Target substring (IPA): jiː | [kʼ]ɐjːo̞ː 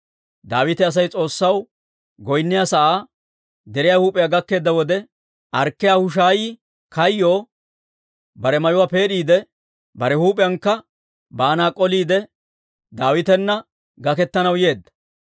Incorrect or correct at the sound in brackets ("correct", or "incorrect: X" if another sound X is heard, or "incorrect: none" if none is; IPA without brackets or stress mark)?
incorrect: k